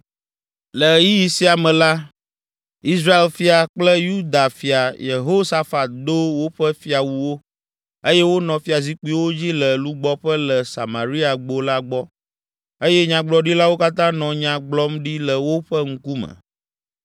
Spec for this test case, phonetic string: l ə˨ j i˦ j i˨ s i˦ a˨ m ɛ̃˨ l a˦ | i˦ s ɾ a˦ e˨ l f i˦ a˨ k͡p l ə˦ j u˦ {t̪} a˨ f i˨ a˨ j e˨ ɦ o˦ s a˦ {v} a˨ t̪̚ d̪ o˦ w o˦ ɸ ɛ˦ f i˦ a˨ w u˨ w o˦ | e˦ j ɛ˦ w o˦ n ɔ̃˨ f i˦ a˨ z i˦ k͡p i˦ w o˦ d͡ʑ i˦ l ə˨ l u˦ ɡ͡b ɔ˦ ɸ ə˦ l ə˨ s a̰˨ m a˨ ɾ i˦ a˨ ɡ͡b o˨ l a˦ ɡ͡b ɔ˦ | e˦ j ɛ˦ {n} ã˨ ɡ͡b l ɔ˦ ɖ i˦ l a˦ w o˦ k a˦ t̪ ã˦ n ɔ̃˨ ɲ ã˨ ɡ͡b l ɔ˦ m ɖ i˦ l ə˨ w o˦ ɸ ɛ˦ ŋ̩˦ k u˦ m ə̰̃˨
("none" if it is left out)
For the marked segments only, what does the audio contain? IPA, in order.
d̪, f, ɲ

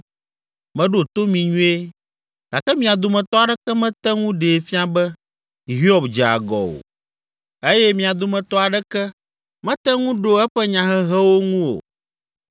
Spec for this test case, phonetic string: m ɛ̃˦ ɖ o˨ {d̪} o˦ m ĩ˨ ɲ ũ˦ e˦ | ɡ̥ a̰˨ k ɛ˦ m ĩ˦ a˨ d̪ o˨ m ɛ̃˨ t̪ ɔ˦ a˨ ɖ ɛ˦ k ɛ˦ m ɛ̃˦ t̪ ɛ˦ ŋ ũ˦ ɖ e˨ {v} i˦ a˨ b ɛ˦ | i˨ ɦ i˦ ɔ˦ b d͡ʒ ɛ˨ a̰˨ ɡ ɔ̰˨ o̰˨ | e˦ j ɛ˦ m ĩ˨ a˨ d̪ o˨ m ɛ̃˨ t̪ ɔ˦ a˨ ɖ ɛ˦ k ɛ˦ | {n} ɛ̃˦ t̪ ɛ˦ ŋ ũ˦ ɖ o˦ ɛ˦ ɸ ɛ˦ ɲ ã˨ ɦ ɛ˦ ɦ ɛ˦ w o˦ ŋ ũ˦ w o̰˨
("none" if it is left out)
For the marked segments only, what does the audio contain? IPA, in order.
t̪, f, m

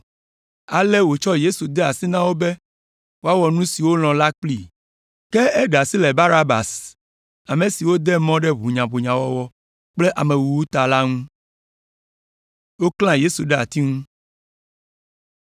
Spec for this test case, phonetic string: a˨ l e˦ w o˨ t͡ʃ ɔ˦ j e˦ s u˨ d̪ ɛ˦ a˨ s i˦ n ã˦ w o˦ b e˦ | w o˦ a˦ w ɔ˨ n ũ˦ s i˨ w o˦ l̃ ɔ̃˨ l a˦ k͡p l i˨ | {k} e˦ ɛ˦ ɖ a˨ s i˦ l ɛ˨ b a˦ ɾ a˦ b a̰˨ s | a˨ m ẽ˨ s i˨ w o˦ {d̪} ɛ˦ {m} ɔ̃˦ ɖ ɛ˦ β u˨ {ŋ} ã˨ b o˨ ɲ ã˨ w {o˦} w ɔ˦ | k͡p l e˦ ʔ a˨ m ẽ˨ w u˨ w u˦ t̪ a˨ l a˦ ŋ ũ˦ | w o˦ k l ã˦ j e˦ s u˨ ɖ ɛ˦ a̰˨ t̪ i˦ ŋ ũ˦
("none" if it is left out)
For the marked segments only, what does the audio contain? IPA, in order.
k, d̪, m, ɲ, ɔ˦

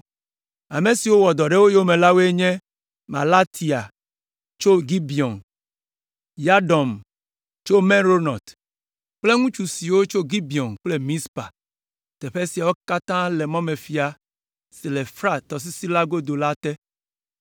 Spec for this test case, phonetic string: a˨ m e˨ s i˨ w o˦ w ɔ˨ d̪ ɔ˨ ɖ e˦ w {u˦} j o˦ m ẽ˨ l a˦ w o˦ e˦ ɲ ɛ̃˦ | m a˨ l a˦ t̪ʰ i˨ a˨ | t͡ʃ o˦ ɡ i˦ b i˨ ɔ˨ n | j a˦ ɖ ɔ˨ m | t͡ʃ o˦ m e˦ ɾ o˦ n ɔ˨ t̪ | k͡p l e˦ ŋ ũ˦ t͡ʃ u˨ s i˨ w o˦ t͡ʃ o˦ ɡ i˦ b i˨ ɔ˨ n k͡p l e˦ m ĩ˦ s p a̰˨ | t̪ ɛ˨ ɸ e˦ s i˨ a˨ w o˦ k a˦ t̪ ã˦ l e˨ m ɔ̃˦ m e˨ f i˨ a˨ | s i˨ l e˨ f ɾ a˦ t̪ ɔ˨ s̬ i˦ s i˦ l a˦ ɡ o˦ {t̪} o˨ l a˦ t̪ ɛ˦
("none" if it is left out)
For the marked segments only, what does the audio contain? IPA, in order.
o˦, d̪

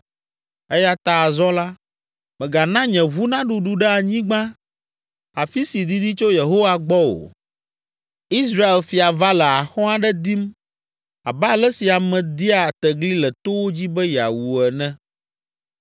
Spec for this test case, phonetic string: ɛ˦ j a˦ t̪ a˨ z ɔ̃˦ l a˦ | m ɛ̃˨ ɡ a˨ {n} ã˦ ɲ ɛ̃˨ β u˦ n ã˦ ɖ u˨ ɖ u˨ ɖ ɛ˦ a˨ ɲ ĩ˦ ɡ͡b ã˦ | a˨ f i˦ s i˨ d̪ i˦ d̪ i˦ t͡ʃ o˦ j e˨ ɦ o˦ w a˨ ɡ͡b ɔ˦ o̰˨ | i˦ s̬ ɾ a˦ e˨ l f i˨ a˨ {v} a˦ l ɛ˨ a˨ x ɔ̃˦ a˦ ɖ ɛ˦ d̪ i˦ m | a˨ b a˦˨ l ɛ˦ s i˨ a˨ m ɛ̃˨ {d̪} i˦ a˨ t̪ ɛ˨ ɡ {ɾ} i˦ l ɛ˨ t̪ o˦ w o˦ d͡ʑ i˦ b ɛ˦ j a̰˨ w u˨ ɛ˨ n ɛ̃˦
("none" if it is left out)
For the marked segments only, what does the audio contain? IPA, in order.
n, v, d̪, l

